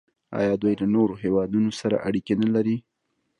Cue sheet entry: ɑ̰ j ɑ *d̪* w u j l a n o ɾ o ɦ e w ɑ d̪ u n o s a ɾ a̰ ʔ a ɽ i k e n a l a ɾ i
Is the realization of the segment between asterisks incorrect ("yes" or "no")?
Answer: no